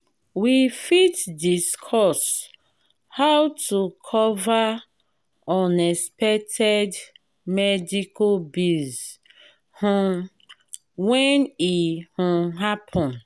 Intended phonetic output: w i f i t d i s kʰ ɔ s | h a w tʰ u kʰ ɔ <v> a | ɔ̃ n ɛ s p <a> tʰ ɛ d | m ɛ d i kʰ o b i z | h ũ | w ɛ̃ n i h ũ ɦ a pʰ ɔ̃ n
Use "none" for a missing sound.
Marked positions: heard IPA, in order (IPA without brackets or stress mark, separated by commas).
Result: v, ɛ